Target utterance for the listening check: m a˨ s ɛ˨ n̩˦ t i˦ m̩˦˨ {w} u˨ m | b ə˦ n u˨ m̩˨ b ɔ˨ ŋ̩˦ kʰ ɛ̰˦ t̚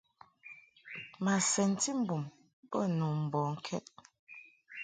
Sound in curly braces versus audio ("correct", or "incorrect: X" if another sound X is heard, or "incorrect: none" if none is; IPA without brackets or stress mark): incorrect: b